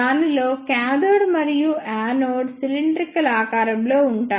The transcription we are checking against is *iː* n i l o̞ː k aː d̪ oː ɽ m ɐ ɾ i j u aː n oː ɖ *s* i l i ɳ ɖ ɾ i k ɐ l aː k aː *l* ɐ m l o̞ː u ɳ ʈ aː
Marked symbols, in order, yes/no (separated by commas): no, yes, no